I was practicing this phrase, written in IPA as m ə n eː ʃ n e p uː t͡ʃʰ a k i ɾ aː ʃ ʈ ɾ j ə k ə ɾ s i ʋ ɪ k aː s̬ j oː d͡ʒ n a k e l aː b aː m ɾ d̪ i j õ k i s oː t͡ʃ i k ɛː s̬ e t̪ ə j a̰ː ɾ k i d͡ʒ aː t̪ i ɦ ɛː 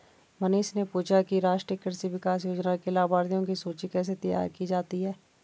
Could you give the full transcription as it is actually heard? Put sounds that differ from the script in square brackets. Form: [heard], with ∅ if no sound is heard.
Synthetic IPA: m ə n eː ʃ n e p uː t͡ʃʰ a k i ɾ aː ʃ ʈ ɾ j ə k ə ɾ s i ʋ ɪ k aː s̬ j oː d͡ʒ n a k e l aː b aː [∅] ɾ d̪ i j õ k i s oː t͡ʃ i k ɛː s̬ e t̪ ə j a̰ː ɾ k i d͡ʒ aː t̪ i ɦ ɛː